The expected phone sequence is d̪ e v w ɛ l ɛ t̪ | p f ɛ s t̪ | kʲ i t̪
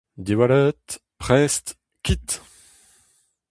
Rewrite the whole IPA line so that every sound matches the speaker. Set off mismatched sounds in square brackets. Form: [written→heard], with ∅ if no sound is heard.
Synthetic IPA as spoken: d̪ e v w [ɛ→a] l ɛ t̪ | p [f→χ] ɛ s t̪ | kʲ i t̪